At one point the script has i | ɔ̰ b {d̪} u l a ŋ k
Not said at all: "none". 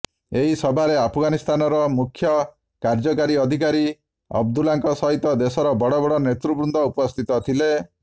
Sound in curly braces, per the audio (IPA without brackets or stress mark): d̪